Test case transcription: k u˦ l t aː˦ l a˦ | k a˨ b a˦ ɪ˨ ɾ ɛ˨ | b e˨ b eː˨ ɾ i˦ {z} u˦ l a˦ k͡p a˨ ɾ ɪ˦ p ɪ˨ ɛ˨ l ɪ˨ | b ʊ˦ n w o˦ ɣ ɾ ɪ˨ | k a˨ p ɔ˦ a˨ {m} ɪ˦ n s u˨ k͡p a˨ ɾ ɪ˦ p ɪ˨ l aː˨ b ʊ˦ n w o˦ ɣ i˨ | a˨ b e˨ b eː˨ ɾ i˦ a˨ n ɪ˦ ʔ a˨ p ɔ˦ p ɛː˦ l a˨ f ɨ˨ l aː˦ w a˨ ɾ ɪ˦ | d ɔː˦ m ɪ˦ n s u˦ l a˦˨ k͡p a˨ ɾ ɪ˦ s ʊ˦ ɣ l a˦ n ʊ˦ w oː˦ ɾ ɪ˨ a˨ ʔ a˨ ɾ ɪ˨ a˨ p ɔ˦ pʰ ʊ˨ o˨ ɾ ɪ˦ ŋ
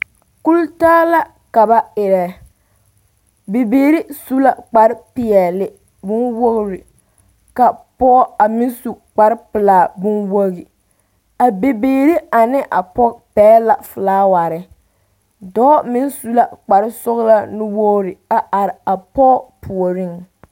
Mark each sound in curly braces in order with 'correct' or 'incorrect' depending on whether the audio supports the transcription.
incorrect, correct

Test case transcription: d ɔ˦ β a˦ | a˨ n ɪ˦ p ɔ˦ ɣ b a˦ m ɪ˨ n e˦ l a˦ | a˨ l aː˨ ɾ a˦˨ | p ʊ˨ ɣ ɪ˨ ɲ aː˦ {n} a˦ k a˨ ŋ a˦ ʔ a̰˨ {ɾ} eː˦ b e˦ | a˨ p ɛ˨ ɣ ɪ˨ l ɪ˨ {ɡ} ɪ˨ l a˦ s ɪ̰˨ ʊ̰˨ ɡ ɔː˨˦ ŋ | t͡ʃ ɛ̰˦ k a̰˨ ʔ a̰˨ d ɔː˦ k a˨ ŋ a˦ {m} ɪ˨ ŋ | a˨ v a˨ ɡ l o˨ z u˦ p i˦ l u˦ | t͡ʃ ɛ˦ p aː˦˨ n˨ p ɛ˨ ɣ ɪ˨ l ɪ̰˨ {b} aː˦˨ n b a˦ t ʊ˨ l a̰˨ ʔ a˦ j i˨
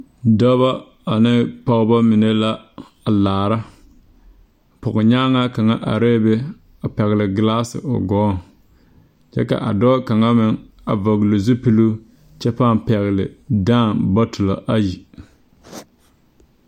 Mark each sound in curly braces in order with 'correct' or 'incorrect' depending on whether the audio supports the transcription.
incorrect, correct, correct, correct, incorrect

